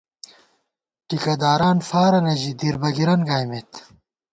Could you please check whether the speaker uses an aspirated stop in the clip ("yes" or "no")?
no